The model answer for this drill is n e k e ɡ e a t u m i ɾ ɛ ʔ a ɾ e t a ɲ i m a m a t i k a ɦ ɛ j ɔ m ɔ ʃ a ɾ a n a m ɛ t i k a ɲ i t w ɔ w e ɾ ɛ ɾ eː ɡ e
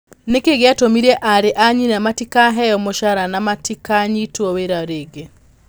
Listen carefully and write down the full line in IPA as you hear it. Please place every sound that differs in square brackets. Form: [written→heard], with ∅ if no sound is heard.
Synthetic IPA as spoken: n e k e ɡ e a t [u→o] m i ɾ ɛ ʔ a ɾ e [t→ʔ] a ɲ i [m→n] a m a t i k a ɦ ɛ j ɔ m [ɔ→o] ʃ a ɾ a n a m [ɛ→a] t i k a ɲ i t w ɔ w e ɾ [ɛ→a] ɾ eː ɡ e